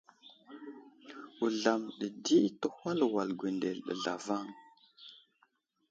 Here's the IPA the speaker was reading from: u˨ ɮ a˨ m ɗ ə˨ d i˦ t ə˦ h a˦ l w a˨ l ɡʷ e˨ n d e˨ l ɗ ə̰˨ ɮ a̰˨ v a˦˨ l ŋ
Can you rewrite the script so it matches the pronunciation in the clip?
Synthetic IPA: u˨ ɮ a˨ m ɗ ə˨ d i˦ t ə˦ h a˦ l w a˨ l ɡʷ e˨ n d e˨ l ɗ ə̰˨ ɮ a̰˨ v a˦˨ ŋ

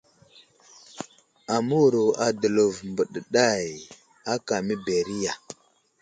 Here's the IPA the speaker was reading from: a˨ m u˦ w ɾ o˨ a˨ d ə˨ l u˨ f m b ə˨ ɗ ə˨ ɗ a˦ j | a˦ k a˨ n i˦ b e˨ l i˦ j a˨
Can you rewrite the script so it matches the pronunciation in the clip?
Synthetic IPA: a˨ m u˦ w ɾ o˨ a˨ d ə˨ l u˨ v m b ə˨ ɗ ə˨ ɗ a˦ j | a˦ k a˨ m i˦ b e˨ ɾ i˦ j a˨

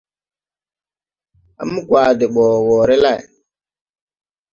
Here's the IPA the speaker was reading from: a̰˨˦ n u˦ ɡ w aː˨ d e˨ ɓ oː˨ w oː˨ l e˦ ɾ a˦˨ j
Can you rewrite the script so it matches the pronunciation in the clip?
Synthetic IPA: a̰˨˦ m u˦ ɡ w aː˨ d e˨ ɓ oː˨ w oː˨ ɾ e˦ l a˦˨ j

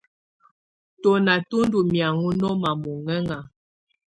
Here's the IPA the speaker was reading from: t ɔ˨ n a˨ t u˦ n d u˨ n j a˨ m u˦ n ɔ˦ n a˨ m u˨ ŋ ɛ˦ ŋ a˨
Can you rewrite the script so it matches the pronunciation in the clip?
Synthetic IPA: t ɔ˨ n a˨ t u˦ n d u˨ m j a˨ ŋ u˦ n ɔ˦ m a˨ m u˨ ŋ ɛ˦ ŋ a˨

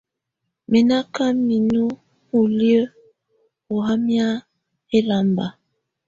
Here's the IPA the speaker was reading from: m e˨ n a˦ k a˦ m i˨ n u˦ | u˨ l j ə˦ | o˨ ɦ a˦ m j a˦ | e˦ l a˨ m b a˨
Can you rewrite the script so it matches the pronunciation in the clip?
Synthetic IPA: m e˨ n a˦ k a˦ m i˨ n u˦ | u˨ l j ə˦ | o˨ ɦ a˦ m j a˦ | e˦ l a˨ m b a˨

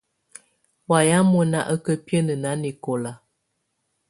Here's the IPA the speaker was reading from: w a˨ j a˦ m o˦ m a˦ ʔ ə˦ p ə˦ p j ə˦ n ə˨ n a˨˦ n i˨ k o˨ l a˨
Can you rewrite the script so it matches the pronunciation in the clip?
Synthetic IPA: w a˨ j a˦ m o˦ n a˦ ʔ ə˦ k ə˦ p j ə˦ n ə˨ n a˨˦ n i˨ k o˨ l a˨

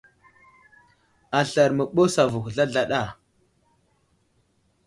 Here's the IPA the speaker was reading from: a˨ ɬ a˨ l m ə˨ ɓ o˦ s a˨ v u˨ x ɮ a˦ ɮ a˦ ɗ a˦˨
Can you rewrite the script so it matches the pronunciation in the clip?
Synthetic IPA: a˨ ɬ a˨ ɾ m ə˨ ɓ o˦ s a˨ v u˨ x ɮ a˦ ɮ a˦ ɗ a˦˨

